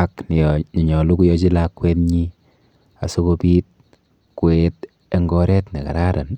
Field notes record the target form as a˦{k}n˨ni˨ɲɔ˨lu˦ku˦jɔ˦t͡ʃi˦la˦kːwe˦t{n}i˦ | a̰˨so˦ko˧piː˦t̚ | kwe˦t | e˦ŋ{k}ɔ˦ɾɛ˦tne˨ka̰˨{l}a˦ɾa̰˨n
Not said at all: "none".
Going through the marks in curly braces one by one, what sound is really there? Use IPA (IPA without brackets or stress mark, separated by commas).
k, ɲ, ɡ, ɾ